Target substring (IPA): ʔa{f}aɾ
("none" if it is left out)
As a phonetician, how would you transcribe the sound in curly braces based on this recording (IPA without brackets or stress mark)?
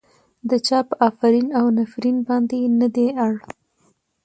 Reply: f